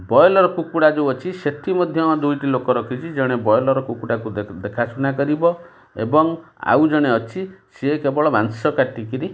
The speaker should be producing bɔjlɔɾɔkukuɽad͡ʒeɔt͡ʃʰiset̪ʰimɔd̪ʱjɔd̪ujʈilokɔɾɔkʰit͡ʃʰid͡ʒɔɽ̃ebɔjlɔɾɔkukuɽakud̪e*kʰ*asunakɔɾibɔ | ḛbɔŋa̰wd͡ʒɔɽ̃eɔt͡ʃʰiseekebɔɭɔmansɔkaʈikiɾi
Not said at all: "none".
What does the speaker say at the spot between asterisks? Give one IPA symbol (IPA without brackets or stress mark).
kʰ